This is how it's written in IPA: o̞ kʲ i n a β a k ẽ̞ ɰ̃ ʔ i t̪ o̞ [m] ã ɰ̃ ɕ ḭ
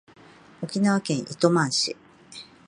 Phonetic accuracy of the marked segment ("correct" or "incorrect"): correct